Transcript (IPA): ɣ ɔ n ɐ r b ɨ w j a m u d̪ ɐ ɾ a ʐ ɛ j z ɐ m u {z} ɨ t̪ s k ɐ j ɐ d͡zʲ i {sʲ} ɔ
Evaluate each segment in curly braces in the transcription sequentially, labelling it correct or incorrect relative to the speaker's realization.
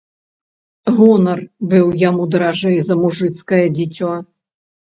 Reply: incorrect: ʐ, incorrect: t͡sʲ

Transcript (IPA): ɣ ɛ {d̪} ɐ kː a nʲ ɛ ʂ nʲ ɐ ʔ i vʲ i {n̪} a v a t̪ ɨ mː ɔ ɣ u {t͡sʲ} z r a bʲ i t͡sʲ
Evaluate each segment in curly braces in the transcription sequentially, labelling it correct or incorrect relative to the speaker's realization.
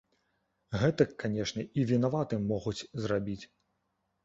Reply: incorrect: t̪, correct, correct

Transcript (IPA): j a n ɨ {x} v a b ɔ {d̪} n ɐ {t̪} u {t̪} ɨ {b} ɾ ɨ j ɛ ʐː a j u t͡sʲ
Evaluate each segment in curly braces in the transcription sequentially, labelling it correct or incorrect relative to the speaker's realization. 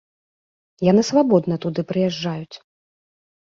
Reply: incorrect: s, correct, correct, incorrect: d̪, incorrect: p

